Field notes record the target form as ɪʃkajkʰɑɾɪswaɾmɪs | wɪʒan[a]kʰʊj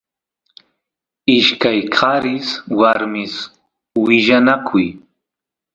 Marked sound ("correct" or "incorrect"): correct